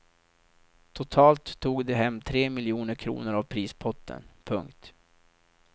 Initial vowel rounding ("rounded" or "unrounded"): rounded